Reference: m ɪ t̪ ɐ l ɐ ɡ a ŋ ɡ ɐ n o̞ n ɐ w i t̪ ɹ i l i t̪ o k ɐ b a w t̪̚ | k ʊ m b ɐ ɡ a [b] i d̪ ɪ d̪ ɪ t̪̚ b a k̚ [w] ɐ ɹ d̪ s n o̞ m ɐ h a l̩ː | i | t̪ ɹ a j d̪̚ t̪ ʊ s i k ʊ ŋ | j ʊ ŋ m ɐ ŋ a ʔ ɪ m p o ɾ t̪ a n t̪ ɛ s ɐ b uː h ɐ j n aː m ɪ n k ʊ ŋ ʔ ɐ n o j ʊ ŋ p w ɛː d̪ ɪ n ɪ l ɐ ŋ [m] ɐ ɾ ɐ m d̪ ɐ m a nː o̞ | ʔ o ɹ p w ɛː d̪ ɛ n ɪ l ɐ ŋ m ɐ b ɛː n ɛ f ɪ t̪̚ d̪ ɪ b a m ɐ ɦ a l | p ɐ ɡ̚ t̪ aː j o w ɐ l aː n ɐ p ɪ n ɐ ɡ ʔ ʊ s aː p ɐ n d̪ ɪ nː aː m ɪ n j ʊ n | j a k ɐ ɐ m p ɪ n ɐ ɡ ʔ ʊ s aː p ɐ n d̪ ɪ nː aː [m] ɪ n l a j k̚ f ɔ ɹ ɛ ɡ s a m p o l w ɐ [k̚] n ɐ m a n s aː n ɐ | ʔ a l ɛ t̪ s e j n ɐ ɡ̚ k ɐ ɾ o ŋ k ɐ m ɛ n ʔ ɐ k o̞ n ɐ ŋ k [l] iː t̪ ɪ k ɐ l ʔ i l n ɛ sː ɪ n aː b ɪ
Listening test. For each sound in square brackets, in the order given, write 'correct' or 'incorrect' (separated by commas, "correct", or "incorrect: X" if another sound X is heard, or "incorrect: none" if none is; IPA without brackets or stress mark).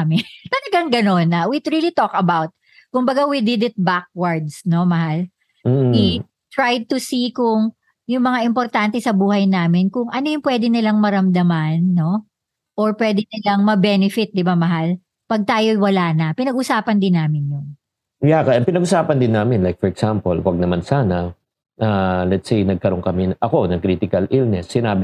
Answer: incorrect: w, correct, correct, correct, incorrect: ɡ̚, incorrect: ɾ